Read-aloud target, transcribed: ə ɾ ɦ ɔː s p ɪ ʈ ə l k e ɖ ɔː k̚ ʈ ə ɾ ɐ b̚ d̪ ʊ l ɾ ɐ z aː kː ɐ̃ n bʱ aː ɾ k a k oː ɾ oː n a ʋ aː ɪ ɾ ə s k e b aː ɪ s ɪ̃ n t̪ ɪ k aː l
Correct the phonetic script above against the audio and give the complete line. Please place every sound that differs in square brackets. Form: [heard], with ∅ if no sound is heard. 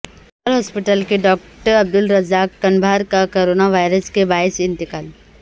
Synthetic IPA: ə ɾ ɦ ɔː s p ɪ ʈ ə l k e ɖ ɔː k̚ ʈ ə ɾ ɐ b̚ d̪ ʊ l ɾ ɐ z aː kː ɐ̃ n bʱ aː ɾ k a k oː ɾ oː n a ʋ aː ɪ ɾ ə s k e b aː ɪ s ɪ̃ n t̪ ɪ k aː l